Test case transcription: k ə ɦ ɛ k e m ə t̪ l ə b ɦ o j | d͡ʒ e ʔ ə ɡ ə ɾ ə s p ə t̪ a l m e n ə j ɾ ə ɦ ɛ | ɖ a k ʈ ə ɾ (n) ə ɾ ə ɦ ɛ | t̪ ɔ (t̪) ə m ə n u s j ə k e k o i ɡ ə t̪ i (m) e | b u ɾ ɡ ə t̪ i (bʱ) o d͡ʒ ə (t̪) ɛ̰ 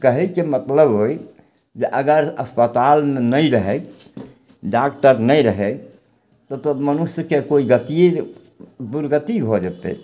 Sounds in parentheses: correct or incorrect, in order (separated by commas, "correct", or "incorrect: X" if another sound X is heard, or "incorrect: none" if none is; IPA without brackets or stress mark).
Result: correct, correct, incorrect: none, correct, correct